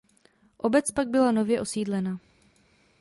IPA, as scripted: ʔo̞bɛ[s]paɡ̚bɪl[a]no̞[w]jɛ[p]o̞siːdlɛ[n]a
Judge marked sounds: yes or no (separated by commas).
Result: no, yes, no, no, yes